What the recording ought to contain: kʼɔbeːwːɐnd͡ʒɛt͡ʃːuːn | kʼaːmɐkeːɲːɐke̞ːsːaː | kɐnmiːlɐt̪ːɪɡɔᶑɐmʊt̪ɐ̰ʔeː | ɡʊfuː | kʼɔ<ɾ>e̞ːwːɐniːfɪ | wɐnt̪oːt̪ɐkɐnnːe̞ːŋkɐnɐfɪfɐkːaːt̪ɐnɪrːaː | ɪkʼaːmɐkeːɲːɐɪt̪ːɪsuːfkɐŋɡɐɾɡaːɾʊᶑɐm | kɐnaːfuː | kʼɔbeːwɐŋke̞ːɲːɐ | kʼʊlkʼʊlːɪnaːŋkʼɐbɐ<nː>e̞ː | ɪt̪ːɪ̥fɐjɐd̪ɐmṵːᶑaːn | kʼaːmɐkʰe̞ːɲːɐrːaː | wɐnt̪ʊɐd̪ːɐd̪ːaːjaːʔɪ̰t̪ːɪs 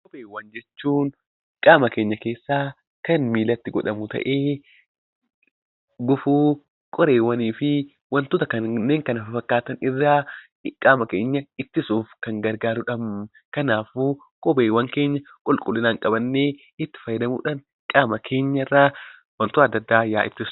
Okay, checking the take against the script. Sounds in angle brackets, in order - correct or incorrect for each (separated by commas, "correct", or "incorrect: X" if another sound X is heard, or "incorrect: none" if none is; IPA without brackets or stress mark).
correct, correct